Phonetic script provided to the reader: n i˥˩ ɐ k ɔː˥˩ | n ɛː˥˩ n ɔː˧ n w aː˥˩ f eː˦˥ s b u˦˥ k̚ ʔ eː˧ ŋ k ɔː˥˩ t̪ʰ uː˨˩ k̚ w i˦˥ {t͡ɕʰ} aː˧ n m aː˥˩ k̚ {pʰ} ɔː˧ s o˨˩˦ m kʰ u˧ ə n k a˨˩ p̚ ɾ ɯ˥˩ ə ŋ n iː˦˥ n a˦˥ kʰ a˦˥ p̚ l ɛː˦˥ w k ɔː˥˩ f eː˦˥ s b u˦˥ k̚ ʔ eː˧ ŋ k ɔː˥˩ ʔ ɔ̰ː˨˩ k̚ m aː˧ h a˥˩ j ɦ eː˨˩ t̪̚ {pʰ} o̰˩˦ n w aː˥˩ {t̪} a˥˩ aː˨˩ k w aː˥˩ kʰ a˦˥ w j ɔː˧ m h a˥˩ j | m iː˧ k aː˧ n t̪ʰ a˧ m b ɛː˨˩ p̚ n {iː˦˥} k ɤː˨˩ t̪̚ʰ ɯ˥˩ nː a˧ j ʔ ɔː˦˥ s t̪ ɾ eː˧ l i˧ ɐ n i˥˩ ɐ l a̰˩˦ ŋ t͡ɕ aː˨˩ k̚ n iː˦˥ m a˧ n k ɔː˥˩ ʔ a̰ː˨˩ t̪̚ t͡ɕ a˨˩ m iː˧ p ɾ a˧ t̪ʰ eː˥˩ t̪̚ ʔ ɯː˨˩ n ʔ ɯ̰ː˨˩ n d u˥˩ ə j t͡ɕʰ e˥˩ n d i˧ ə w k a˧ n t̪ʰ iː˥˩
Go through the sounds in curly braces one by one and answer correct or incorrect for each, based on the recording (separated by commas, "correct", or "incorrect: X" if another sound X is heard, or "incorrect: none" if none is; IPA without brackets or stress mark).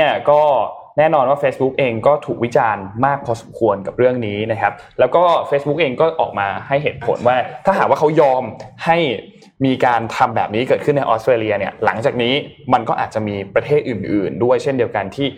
incorrect: t͡ɕ, correct, correct, incorrect: t̪ʰ, correct